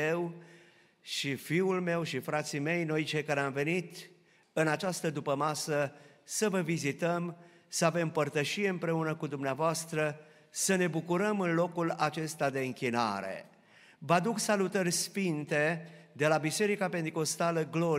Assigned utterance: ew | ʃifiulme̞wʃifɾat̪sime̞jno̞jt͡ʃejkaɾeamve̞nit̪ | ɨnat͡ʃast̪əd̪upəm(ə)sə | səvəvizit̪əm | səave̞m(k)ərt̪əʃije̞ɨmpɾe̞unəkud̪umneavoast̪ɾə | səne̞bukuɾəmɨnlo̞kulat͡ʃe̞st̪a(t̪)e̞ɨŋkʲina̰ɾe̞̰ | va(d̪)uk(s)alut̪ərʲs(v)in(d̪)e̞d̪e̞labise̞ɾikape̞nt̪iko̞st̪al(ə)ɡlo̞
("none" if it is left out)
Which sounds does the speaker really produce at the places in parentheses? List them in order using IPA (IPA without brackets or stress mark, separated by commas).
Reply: a, p, d̪, d̪, s, f, t̪, ə